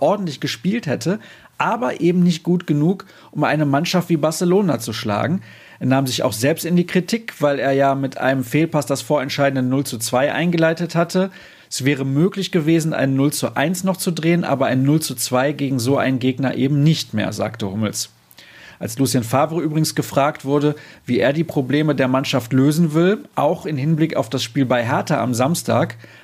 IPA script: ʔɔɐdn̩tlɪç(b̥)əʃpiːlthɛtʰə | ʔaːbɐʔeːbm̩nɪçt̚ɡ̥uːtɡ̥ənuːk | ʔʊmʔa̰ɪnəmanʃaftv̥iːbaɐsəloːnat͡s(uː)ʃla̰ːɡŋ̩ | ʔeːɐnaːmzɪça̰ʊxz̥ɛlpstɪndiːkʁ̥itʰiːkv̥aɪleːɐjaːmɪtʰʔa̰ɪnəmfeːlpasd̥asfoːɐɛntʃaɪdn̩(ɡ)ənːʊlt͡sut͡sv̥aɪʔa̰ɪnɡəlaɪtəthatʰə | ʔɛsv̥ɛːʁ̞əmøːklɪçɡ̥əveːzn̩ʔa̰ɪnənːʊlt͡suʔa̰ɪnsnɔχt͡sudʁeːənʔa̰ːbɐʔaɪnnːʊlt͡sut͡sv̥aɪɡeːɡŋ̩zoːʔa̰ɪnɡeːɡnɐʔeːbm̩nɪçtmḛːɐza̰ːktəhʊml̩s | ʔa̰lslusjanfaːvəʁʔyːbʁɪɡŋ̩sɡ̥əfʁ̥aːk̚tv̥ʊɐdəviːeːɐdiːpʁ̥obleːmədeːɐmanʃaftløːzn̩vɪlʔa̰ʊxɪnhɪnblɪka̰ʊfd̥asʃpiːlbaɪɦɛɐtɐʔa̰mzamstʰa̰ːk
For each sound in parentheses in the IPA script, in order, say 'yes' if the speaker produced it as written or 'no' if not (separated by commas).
no, no, no